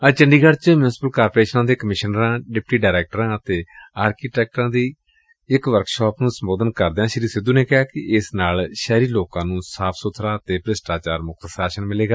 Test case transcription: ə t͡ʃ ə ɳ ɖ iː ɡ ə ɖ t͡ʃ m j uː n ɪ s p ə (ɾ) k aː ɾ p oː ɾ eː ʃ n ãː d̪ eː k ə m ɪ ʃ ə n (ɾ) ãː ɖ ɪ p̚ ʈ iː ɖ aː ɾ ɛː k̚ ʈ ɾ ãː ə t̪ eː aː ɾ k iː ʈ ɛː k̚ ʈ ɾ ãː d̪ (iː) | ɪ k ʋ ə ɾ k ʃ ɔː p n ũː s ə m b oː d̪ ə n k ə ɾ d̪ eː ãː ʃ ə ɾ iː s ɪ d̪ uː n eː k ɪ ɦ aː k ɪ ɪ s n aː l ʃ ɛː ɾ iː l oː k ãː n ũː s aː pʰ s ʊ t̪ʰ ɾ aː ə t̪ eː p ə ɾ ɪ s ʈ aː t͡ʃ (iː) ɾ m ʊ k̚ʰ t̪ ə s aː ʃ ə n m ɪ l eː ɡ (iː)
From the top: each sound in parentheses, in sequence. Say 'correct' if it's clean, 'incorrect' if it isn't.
incorrect, correct, correct, incorrect, incorrect

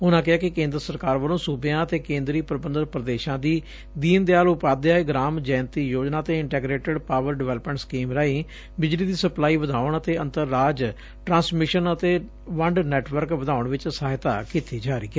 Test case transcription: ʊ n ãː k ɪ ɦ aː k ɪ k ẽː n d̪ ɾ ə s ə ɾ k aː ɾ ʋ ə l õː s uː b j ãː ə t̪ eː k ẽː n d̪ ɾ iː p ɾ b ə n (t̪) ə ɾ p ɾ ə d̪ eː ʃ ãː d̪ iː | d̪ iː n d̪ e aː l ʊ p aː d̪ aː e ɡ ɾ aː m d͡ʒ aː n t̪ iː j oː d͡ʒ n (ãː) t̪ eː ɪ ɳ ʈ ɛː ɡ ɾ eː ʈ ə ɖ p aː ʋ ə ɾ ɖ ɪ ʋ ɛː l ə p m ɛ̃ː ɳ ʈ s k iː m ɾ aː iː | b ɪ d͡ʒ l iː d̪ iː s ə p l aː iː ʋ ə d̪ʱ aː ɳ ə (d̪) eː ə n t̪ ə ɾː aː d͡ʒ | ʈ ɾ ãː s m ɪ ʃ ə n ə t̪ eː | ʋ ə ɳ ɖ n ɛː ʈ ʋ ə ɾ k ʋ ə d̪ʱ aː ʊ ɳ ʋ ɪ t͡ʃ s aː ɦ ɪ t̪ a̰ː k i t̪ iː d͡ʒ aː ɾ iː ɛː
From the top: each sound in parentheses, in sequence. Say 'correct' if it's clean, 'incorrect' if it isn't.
incorrect, incorrect, incorrect

